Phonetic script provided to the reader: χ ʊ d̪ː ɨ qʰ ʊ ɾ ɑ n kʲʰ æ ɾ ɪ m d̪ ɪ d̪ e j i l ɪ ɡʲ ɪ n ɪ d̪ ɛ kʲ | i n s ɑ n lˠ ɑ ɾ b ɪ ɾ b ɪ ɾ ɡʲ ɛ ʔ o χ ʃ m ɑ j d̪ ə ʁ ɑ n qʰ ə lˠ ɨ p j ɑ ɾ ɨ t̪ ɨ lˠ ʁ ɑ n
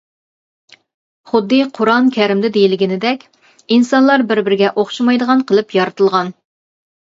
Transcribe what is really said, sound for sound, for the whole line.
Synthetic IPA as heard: χ ʊ d̪ː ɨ qʰ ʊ ɾ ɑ n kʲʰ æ ɾ ɪ m d̪ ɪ d̪ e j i l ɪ ɡʲ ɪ n ɪ d̪ ɛ kʲ | i n s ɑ n lˠ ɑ ɾ b ɪ ɾ b ɪ ɾ ɡʲ ɛ ʔ o χ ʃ m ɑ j d̪ ə ʁ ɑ n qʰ ə lˠ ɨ p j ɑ ɾ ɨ t̪ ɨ lˠ ʁ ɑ n